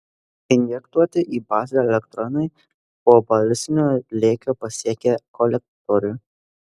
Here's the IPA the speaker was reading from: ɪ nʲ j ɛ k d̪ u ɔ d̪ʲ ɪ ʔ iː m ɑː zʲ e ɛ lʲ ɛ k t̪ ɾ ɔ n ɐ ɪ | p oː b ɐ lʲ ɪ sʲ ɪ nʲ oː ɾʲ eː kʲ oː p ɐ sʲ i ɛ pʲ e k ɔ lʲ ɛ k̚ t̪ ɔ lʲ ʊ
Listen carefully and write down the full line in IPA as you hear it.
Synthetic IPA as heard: ɪ nʲ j ɛ k t̪ u ɔ t̪ʲ ɪ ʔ iː b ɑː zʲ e ɛ lʲ ɛ k t̪ ɾ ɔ n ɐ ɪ | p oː b ɐ lʲ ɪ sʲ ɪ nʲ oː lʲ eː kʲ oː p ɐ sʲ i ɛ kʲ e k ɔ lʲ ɛ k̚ t̪ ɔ ɾʲ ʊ